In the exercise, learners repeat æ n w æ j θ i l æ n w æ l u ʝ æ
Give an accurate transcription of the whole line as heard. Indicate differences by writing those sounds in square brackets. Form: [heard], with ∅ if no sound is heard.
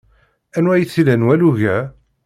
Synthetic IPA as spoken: æ n w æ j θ i l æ n w æ l u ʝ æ